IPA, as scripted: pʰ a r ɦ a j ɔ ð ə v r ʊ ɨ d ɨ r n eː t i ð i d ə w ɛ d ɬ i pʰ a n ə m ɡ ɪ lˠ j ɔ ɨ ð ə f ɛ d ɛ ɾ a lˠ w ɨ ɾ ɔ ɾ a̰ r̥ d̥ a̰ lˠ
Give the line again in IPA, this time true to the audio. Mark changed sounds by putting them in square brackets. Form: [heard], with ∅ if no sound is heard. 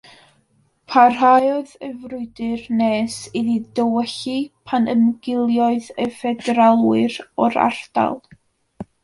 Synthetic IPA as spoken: pʰ a r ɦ a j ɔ ð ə v r ʊ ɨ d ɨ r n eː [s] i ð i d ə w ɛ [∅] ɬ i pʰ a n ə m ɡ ɪ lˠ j ɔ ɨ ð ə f ɛ d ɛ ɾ a lˠ w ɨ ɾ ɔ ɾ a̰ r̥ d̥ a̰ lˠ

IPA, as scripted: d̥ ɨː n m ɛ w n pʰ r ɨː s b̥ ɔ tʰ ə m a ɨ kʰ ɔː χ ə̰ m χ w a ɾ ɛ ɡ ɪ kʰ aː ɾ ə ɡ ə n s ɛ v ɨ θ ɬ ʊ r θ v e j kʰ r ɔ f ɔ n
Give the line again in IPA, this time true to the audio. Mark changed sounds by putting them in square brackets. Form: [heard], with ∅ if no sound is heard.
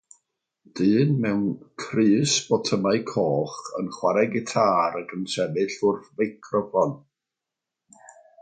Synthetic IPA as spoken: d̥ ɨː n m ɛ w n [kʰ] r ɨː s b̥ ɔ tʰ ə m a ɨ kʰ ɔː χ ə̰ [n] χ w a ɾ ɛ ɡ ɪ [tʰ] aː ɾ ə ɡ ə n s ɛ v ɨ [∅] ɬ ʊ r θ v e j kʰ r ɔ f ɔ n

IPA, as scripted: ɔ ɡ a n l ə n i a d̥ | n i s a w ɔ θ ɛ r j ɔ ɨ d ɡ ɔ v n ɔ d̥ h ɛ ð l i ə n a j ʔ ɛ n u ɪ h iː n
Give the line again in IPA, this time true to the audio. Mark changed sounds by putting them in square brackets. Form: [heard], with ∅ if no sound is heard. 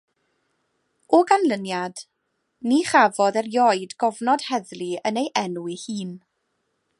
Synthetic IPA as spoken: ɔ ɡ a n l ə n [j] a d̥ | n i [χ] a [v] ɔ [ð] ɛ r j ɔ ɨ d ɡ ɔ v n ɔ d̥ h ɛ ð l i ə n [e] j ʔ ɛ n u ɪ h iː n

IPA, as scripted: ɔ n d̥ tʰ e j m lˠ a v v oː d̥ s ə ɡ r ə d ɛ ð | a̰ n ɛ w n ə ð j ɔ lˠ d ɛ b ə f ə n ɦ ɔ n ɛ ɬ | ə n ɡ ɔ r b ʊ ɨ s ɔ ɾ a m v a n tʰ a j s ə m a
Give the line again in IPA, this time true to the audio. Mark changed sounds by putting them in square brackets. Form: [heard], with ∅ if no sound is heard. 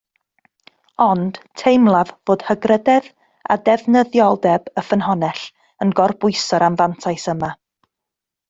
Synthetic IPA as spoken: ɔ n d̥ tʰ e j m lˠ a v v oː d̥ [h] ə ɡ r ə d ɛ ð | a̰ [d] ɛ [v] n ə ð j ɔ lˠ d ɛ b ə f ə n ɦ ɔ n ɛ ɬ | ə n ɡ ɔ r b ʊ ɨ s ɔ ɾ a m v a n tʰ a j s ə m a

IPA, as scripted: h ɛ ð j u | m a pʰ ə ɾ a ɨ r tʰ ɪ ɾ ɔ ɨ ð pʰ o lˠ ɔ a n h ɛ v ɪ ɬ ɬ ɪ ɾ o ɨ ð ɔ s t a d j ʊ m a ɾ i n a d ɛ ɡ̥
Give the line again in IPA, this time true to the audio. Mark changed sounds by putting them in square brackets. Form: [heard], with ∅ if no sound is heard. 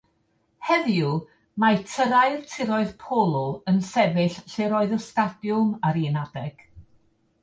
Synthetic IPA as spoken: h ɛ ð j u | m a [tʰ] ə ɾ a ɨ r tʰ ɪ ɾ ɔ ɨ ð pʰ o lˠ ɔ [ə] n [s] ɛ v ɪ ɬ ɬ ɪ ɾ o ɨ ð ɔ s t a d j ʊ m a ɾ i n a d ɛ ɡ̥

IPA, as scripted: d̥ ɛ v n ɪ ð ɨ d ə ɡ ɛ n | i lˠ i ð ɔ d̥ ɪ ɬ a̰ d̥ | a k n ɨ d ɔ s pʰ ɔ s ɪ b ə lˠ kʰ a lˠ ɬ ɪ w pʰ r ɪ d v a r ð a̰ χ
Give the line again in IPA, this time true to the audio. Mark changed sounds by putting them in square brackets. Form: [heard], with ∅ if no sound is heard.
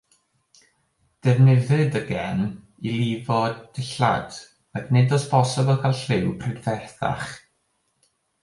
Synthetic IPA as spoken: d̥ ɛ v n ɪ ð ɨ d ə ɡ ɛ n | i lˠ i [v] ɔ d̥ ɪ ɬ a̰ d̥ | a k n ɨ d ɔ s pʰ ɔ s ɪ b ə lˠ kʰ a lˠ ɬ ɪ w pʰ r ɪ d v [ɛ] r [θ] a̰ χ

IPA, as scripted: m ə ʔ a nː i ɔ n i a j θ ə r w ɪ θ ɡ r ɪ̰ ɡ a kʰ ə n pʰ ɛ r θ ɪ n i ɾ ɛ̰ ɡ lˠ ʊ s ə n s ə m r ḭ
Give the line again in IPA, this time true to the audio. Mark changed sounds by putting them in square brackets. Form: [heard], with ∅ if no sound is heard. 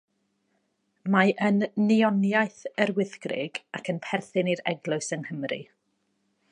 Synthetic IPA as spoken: m [a] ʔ [ə] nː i ɔ n [j] a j θ ə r w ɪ θ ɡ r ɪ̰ ɡ a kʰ ə n pʰ ɛ r θ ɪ n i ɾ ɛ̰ ɡ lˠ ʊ s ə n [h] ə m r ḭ

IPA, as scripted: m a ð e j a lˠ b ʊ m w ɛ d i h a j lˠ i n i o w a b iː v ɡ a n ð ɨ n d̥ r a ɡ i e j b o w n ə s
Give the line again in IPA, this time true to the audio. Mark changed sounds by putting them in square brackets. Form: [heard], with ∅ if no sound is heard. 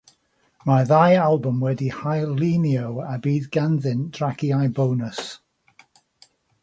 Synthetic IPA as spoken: m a ð [a] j a lˠ b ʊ m w ɛ d i h a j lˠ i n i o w a b iː [ð] ɡ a n ð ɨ n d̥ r a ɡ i [a] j b o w n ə s

